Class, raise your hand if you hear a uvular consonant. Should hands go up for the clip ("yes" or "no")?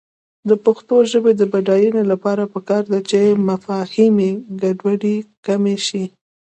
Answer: no